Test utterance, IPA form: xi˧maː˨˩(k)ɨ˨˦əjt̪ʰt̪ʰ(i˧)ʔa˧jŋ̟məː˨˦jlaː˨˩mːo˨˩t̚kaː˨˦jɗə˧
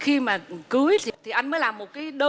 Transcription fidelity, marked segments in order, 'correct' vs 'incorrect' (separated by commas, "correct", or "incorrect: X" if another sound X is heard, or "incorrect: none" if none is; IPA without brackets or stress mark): correct, incorrect: i˨˩